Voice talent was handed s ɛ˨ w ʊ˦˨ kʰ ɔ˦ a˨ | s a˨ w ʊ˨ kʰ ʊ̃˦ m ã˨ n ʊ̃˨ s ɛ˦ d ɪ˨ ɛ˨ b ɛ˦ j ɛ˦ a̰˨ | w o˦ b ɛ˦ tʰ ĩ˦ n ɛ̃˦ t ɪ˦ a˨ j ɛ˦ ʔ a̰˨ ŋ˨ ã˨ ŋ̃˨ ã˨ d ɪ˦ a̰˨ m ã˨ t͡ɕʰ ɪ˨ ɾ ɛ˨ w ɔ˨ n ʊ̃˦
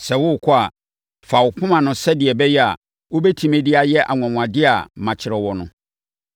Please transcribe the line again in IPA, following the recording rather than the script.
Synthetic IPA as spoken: s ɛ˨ w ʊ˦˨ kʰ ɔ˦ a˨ | f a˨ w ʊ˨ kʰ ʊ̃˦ m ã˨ n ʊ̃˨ s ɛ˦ d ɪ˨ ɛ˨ b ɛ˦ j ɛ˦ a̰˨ | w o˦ b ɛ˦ tʰ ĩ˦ m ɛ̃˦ d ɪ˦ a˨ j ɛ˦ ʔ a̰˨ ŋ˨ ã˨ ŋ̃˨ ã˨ d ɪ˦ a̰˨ m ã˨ t͡ɕʰ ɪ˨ ɾ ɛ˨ w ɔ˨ n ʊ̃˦

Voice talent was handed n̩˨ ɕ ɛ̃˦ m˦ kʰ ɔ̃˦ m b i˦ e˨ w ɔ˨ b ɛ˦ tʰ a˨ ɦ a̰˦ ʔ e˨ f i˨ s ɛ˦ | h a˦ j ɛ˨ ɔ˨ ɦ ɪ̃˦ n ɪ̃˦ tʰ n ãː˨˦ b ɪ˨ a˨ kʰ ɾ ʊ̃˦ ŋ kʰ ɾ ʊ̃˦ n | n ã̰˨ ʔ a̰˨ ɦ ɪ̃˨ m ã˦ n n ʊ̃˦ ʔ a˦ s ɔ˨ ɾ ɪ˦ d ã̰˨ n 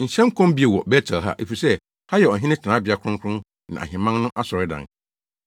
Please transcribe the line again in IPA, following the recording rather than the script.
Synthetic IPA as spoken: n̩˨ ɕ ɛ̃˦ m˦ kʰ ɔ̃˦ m b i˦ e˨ w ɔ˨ b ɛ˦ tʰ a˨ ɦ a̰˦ ʔ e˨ f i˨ s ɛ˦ | h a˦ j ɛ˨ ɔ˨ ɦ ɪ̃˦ n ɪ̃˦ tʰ n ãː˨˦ b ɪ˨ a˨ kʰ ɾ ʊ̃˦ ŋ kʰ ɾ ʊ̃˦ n | n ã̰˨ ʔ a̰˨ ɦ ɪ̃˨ m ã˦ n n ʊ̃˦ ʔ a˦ s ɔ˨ ɾ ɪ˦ d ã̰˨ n

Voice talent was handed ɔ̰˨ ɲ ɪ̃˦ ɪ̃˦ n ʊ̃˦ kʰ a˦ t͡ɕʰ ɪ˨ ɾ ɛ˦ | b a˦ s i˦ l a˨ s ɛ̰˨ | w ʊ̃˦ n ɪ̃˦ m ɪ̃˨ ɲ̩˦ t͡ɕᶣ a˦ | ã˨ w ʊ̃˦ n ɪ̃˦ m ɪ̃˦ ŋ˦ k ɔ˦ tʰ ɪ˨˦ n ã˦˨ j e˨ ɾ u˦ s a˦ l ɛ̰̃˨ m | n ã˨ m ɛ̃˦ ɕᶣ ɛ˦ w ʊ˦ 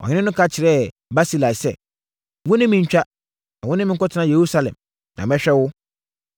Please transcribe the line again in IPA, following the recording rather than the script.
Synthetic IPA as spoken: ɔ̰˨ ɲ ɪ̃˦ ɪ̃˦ n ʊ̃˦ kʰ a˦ t͡ɕʰ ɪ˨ ɾ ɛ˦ | b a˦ s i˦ l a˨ s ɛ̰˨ | w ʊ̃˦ n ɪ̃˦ m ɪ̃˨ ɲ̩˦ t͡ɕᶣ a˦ | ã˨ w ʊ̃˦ n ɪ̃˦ m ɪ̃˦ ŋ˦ k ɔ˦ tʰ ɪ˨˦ n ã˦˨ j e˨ ɾ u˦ s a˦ l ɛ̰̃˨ m | n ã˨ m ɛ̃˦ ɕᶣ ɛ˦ w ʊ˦

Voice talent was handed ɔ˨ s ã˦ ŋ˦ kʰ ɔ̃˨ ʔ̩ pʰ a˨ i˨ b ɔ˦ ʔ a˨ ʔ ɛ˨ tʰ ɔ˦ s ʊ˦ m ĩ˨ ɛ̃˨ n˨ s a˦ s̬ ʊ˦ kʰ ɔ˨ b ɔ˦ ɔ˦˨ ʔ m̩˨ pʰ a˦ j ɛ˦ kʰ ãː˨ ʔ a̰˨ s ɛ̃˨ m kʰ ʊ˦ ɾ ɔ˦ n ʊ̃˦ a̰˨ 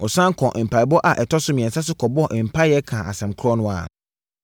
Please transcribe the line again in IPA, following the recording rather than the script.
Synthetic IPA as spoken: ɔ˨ s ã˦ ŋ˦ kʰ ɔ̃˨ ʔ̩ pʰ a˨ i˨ b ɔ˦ ʔ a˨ ʔ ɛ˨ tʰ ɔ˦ s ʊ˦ m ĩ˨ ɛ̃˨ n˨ s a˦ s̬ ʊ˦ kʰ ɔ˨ b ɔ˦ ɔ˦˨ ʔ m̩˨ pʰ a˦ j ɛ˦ kʰ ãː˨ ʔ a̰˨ s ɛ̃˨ m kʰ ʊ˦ ɾ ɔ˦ n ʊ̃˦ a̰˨

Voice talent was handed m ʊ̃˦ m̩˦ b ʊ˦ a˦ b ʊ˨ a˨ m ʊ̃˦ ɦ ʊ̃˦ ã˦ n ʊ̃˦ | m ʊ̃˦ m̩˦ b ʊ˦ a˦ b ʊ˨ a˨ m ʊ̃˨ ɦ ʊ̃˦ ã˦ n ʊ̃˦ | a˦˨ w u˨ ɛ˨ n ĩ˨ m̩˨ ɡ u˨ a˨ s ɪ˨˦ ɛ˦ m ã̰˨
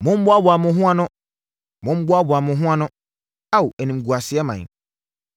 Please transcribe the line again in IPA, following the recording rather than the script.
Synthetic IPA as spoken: m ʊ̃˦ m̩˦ b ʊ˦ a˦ b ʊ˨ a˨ m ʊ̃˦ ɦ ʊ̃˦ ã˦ n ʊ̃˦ | m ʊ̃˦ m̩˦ b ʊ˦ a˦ b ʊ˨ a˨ m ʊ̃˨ ɦ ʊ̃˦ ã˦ n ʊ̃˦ | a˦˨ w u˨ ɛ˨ n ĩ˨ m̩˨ ɡ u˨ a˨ s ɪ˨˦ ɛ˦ m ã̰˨

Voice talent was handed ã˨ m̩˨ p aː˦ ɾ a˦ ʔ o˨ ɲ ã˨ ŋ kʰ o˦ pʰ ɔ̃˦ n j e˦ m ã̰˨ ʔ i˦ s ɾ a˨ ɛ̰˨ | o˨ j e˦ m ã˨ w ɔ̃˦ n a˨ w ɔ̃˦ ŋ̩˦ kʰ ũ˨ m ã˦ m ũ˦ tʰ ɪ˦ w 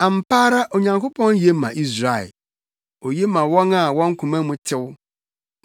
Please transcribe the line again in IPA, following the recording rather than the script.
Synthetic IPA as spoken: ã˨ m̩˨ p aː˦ ɾ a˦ ʔ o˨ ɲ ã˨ ŋ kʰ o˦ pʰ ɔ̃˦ n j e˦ m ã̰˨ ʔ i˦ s ɾ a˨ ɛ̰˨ | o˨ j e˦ m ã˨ w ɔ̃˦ n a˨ w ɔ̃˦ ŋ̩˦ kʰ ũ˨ m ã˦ m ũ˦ tʰ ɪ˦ w

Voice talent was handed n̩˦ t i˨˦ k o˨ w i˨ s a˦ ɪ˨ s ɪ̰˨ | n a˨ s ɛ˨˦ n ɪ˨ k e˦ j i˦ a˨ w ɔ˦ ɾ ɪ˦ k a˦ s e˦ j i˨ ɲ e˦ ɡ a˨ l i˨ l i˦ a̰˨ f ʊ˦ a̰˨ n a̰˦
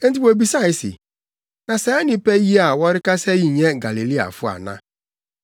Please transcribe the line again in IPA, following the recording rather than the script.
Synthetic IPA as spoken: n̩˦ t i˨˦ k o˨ b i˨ s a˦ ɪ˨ s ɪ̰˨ | n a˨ s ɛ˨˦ n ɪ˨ p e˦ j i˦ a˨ w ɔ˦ ɾ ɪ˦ k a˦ s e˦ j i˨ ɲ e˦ ɡ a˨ l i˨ l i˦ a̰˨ f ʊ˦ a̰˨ n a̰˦

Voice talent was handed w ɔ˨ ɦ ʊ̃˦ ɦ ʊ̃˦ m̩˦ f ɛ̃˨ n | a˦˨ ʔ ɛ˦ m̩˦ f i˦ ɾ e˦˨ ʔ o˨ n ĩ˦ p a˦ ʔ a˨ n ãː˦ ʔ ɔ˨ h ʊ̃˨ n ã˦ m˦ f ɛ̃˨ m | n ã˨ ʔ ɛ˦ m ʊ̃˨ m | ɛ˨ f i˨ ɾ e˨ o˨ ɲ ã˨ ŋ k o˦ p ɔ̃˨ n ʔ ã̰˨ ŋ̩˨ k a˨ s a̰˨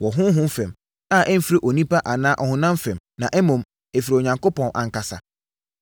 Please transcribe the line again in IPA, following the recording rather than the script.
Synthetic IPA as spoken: w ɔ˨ ɦ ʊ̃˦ ɦ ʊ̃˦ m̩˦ f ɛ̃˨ m | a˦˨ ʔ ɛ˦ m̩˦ f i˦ ɾ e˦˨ ʔ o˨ n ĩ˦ p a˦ ʔ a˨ n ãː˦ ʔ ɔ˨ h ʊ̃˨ n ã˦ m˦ f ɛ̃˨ m | n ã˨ ʔ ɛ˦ m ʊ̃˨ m | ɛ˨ f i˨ ɾ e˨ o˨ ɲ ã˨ ŋ k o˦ p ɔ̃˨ n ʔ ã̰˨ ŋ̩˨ k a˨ s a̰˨

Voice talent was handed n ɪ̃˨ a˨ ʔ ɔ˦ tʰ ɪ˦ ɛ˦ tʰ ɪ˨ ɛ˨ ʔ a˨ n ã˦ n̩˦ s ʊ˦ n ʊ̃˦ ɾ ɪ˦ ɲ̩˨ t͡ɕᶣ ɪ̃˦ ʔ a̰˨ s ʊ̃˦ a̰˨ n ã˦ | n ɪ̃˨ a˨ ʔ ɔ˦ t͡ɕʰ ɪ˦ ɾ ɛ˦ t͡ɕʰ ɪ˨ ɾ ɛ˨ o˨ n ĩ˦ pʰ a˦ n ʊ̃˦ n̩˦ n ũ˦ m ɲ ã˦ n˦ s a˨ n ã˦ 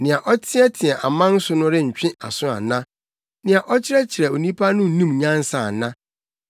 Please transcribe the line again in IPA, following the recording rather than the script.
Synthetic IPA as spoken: n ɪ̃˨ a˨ ʔ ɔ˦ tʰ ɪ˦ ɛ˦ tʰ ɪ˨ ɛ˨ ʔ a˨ m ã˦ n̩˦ s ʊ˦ n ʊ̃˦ ɾ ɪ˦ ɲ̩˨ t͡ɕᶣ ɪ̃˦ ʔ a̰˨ s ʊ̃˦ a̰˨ n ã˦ | n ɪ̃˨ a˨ ʔ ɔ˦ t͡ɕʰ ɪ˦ ɾ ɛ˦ t͡ɕʰ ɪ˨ ɾ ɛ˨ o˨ n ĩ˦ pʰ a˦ n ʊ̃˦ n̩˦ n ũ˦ m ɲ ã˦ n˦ s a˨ n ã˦

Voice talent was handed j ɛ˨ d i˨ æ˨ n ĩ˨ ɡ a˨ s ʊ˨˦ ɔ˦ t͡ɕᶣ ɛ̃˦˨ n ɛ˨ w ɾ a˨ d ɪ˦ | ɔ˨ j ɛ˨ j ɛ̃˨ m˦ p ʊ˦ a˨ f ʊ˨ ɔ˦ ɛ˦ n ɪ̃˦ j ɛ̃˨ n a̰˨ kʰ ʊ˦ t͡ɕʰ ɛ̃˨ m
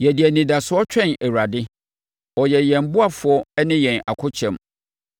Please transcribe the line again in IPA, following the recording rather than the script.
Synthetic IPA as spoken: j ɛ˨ d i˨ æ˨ n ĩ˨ d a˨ s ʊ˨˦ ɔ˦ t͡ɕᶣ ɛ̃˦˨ n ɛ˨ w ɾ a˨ d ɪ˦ | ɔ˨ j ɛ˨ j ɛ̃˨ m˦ b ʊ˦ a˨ f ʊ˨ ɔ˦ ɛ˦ n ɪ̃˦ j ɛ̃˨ n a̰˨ kʰ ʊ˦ t͡ɕʰ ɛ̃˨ m

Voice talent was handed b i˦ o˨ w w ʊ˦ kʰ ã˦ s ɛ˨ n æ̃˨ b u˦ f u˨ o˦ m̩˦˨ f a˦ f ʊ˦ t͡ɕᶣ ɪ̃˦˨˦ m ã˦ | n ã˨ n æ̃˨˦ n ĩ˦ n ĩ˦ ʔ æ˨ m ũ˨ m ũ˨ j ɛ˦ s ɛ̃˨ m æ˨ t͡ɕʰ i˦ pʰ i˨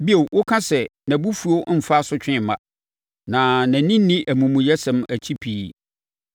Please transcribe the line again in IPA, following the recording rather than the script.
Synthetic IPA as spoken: b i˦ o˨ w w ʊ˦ kʰ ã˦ s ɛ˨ n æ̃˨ b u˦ f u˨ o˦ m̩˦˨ f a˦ s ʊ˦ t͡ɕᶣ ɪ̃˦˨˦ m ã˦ | n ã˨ n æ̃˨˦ n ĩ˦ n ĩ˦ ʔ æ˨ m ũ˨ m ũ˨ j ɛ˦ s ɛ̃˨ m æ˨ t͡ɕʰ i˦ pʰ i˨

